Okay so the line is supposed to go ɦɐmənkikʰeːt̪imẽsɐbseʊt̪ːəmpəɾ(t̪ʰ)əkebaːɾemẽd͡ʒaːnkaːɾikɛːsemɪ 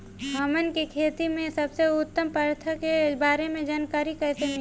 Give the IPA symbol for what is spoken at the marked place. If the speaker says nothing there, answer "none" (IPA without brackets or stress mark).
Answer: t̪ʰ